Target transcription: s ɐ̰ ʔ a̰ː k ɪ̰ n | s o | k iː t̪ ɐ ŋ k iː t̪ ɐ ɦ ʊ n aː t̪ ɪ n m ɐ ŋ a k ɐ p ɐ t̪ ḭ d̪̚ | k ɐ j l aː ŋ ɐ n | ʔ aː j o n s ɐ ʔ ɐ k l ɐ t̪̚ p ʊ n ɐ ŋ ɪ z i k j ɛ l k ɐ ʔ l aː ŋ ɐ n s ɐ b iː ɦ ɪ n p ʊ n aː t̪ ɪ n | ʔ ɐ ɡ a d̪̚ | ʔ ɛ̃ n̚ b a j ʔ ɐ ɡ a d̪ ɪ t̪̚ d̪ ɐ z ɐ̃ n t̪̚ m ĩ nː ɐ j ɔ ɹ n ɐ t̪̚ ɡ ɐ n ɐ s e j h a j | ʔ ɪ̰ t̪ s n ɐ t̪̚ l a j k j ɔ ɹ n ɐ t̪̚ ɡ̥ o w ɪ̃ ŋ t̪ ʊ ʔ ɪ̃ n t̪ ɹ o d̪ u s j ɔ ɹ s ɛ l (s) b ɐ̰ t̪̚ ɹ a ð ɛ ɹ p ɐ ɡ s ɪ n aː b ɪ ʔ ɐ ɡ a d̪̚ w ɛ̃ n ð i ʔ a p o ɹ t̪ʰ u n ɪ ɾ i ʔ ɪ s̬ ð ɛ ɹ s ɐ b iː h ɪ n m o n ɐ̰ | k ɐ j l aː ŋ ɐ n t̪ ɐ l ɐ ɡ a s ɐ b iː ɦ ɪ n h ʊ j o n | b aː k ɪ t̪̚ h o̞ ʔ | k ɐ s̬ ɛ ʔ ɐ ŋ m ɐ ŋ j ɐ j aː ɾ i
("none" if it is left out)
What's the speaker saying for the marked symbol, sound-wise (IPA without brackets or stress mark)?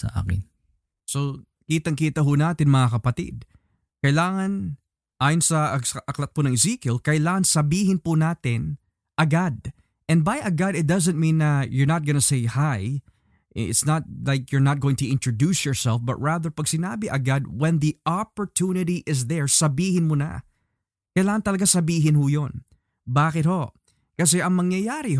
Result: f